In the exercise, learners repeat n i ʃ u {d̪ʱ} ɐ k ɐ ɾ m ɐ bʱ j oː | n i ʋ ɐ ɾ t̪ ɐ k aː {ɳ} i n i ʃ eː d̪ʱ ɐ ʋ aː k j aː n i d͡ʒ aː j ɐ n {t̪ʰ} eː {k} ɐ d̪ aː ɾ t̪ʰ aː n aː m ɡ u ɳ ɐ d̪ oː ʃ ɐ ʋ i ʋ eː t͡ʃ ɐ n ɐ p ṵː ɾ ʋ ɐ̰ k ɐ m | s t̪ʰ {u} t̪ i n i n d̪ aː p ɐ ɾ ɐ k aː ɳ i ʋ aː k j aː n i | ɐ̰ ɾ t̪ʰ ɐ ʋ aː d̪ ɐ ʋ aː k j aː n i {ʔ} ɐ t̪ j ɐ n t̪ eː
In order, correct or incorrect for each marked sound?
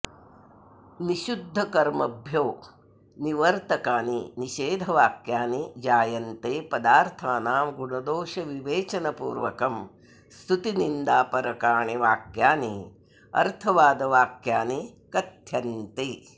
incorrect: d̪ʱː, incorrect: n, incorrect: t̪, incorrect: p, correct, incorrect: k

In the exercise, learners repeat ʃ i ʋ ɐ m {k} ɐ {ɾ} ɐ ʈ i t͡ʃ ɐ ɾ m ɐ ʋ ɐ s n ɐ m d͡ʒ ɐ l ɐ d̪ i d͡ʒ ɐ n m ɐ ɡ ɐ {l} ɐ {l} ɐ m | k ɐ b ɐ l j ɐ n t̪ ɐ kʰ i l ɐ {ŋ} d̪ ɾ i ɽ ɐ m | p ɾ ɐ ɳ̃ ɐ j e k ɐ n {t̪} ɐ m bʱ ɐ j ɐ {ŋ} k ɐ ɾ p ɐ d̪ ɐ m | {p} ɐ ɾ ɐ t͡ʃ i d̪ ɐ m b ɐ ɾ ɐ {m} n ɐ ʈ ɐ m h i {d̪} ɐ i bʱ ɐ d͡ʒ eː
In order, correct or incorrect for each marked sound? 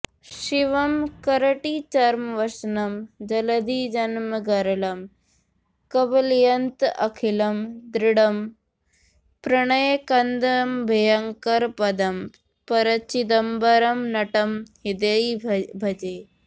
correct, correct, incorrect: ɾ, correct, incorrect: m, incorrect: d̪, correct, correct, correct, correct

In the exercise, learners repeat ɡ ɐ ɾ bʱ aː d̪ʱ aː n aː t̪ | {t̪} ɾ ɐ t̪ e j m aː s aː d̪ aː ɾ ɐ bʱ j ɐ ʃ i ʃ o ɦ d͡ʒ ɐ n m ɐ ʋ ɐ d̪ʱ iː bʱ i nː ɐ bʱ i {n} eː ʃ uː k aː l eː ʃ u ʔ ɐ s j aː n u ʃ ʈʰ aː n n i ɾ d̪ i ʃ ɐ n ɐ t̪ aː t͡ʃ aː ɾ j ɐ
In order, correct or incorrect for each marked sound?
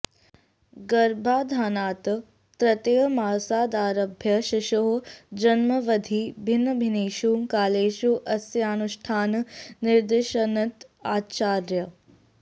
correct, correct

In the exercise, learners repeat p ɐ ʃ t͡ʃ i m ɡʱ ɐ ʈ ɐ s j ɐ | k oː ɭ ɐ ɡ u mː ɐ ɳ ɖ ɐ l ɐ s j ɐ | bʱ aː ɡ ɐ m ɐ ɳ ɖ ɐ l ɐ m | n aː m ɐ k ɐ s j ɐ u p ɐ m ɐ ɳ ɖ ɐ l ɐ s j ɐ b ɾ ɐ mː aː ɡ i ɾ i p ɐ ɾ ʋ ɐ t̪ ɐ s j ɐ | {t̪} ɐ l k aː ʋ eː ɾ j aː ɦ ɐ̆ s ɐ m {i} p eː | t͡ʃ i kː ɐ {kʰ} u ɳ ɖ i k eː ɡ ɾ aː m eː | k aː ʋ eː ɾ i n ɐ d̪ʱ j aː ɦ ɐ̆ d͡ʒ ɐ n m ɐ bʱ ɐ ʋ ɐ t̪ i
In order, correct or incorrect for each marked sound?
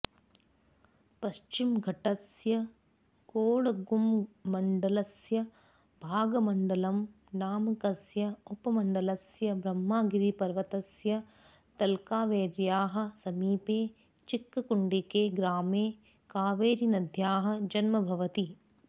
correct, incorrect: iː, incorrect: k

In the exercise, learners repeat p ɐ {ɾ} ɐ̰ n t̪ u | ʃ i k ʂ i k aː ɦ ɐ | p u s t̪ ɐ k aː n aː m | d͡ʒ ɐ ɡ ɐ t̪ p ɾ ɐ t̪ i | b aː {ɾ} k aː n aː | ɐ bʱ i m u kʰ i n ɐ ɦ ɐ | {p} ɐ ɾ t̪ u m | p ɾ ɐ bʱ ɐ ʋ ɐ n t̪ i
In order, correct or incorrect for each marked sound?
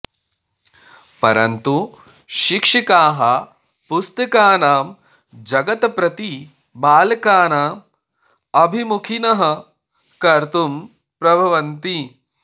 correct, incorrect: l, incorrect: k

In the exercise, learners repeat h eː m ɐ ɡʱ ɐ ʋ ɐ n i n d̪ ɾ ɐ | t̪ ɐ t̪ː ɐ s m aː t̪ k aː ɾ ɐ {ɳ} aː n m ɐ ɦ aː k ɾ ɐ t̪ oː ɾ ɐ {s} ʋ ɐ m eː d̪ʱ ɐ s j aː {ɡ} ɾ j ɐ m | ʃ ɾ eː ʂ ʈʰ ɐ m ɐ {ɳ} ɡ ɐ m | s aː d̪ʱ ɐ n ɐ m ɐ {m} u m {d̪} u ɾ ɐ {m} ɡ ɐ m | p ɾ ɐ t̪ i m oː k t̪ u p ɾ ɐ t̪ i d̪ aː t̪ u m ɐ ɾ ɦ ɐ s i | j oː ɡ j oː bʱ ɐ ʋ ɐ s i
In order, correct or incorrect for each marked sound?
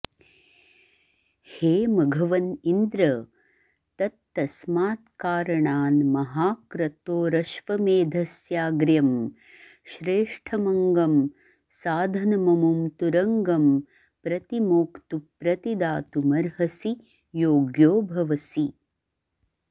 correct, incorrect: ʃ, correct, incorrect: ŋ, correct, incorrect: t̪, incorrect: ŋ

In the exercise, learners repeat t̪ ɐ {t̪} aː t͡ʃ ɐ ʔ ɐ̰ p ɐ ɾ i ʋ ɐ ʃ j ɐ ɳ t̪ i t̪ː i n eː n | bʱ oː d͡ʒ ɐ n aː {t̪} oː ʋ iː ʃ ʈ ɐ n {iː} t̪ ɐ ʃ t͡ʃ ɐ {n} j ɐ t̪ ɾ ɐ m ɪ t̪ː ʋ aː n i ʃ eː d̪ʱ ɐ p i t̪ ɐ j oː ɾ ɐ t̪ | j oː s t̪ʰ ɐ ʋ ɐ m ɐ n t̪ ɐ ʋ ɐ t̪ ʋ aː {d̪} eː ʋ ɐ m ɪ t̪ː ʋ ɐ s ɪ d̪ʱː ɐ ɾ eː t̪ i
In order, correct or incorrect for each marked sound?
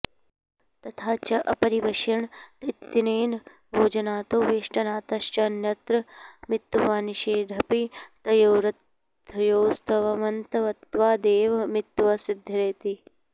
incorrect: t̪ʰ, correct, incorrect: aː, correct, correct

